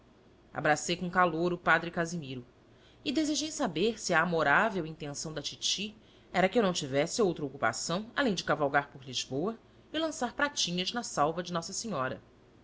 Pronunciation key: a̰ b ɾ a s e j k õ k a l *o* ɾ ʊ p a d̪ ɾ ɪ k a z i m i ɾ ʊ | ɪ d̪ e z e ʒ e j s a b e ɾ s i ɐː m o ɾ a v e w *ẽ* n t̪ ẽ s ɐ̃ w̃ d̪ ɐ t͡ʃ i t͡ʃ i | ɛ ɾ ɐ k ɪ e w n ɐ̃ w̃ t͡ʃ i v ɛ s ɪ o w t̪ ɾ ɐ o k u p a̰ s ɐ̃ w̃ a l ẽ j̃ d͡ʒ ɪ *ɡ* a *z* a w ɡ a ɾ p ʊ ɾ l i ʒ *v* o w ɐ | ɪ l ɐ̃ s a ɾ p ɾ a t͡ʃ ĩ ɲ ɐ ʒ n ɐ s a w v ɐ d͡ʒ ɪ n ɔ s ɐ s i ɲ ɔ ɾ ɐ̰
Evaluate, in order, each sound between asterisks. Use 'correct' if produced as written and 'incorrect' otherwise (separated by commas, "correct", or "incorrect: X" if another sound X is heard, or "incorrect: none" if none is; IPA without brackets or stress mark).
correct, incorrect: ĩ, incorrect: k, incorrect: v, incorrect: b